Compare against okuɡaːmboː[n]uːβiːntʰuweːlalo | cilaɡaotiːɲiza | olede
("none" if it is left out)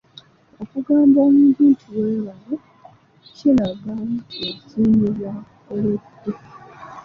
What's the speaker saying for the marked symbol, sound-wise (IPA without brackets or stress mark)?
m